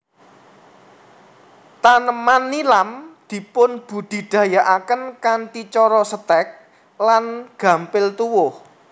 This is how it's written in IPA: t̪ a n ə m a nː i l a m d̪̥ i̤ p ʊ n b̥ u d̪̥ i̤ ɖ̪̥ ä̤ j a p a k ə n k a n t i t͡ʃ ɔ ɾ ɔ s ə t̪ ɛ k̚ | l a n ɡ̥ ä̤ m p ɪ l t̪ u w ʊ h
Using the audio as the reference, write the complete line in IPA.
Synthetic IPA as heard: t̪ a n ə m a nː i l a m d̪̥ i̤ p ʊ n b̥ u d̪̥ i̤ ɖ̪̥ ä̤ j a ʔ a k ə n k a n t i t͡ʃ ɔ ɾ ɔ s ə t̪ ɛ k̚ | l a n ɡ̥ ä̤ m p ɪ l t̪ u w ʊ h